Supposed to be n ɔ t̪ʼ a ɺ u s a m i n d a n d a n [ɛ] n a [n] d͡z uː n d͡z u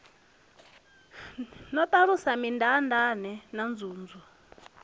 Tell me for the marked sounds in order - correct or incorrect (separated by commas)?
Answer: correct, correct